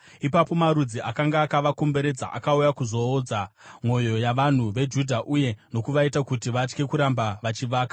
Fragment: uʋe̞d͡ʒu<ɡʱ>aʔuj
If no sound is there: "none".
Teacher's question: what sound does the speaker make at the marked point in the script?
dʱ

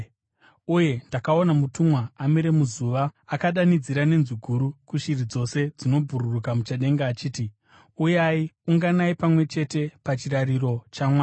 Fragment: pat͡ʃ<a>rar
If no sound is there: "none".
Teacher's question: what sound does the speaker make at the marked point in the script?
i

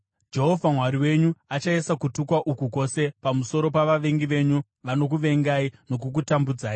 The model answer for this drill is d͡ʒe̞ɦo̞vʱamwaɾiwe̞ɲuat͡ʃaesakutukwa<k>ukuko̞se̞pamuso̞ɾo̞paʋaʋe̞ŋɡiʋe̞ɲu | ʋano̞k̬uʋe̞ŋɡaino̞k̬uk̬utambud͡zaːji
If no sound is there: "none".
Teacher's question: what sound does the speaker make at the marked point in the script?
ʔ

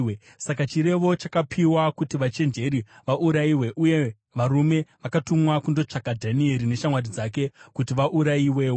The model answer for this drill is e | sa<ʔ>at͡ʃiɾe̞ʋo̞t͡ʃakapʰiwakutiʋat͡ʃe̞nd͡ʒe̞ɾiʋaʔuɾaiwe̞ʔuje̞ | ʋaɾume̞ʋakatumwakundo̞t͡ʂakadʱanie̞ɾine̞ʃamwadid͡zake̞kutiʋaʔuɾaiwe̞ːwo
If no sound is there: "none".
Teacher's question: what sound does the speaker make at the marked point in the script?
k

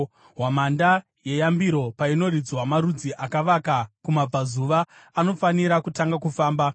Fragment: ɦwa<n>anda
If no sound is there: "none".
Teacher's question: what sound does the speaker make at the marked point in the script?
m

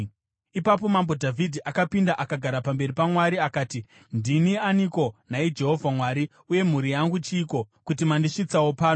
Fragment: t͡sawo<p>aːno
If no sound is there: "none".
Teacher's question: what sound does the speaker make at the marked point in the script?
p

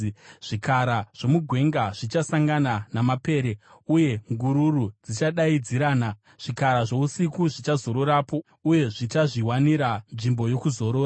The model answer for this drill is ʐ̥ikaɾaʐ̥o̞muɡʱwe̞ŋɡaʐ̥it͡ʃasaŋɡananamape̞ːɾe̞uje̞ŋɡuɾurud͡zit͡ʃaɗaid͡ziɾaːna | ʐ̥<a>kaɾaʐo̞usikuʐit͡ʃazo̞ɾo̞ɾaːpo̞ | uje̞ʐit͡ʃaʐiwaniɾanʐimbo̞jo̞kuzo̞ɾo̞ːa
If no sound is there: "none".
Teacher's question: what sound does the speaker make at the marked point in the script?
i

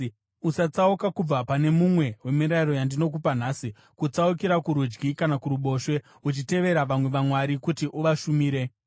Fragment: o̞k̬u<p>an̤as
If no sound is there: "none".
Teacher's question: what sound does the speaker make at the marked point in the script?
p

